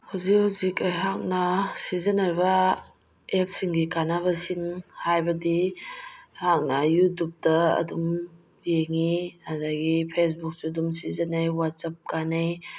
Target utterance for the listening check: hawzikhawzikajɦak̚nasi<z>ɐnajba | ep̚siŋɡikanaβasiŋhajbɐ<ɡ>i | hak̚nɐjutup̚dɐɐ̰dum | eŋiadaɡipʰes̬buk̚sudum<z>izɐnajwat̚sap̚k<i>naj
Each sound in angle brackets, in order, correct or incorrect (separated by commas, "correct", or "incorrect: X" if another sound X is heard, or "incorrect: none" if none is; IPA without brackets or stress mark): correct, incorrect: d, incorrect: s, incorrect: a